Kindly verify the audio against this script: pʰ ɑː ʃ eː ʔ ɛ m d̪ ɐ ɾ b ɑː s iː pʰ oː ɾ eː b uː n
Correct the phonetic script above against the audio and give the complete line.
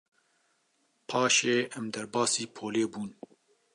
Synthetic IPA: pʰ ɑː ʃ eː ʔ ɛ m d̪ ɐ ɾ b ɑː s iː pʰ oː l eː b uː n